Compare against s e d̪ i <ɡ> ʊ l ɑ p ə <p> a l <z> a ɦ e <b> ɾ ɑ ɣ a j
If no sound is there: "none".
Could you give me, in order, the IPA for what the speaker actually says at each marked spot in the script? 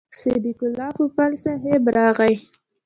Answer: k, p, s, b

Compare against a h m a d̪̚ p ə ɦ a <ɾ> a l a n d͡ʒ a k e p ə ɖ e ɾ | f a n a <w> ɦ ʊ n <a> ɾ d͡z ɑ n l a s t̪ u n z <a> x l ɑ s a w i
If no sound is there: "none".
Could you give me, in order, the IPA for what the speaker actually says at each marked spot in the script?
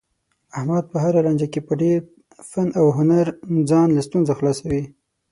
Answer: ɾ, w, a, a

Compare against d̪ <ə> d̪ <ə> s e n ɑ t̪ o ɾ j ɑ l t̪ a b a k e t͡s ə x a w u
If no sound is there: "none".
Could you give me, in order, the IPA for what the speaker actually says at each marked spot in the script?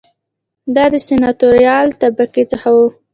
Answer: ɑ, ə

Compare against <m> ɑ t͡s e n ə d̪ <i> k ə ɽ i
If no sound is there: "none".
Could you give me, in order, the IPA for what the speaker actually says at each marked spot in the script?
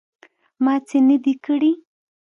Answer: m, i

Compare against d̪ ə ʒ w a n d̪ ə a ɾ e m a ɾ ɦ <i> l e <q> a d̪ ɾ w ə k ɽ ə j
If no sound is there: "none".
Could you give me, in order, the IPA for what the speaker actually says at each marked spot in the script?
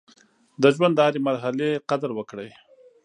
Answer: a, q

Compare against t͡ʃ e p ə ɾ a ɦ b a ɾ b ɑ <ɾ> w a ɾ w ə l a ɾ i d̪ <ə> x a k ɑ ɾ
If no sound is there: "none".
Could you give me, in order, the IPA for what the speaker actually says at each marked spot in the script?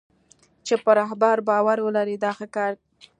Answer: none, ɑ

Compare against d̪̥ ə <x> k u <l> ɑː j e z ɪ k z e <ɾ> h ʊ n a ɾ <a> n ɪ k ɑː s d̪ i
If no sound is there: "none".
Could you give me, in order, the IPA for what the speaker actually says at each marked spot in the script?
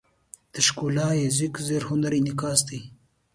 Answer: ʃ, l, ɾ, i

